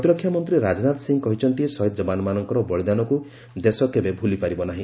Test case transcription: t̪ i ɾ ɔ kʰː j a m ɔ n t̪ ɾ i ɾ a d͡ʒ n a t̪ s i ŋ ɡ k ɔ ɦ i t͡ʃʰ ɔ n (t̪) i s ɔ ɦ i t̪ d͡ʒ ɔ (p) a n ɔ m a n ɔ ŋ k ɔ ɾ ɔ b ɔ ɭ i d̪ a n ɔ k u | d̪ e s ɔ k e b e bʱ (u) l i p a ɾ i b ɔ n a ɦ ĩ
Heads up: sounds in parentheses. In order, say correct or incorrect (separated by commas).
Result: correct, incorrect, correct